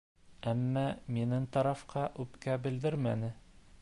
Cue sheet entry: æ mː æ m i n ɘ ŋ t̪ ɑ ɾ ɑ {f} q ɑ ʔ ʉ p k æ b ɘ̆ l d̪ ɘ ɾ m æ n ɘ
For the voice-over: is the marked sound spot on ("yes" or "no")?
yes